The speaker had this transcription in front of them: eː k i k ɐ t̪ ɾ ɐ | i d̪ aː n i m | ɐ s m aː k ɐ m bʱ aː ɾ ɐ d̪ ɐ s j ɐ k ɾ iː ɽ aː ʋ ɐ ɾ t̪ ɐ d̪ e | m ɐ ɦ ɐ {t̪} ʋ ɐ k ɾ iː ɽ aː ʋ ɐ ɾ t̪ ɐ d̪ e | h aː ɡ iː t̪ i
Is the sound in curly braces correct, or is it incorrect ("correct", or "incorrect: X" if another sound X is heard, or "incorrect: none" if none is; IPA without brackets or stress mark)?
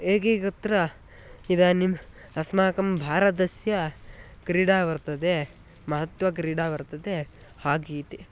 correct